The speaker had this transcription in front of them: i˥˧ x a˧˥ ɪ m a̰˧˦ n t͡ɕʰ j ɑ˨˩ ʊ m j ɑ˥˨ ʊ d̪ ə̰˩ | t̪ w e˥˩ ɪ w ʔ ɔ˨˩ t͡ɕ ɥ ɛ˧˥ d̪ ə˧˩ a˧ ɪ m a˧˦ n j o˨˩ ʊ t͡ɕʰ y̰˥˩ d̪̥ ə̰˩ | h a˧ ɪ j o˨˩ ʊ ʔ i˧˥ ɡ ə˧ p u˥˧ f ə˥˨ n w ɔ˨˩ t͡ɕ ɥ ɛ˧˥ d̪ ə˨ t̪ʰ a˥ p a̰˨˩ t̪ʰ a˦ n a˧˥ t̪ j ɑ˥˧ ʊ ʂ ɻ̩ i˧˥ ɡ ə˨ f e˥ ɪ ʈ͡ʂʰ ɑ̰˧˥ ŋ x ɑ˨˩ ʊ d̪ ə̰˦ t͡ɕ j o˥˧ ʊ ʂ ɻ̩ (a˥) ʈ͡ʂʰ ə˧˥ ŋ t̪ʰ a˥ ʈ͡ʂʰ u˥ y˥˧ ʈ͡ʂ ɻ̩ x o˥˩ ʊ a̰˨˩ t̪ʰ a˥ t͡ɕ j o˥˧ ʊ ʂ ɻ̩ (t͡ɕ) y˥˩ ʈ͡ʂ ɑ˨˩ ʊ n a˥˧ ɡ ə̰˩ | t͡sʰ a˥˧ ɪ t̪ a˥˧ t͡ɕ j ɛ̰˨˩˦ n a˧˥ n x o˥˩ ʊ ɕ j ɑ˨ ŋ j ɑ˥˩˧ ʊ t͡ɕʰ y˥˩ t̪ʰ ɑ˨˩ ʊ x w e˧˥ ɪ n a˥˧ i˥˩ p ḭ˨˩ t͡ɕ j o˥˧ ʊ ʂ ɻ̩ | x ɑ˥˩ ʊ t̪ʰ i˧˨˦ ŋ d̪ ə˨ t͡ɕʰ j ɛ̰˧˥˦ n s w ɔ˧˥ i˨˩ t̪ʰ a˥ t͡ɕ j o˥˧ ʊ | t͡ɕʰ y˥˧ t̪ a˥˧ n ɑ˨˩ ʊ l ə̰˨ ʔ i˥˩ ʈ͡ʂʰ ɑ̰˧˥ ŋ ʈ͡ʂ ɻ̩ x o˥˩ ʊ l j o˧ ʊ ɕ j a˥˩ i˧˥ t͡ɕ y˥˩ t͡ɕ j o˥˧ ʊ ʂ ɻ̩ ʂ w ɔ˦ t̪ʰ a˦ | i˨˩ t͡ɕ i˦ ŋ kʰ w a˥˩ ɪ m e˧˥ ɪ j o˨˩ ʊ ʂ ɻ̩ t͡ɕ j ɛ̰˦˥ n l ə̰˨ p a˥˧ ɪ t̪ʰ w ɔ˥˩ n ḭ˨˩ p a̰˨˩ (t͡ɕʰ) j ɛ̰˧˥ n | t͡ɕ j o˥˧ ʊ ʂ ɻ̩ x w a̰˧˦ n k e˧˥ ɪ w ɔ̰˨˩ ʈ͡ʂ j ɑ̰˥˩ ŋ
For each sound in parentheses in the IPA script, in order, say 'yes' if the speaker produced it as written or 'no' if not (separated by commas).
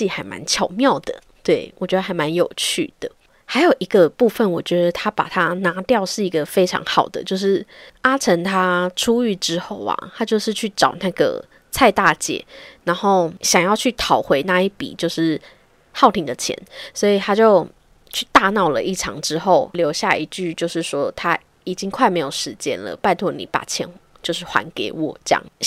yes, no, yes